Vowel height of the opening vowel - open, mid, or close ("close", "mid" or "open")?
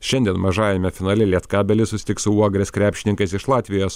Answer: mid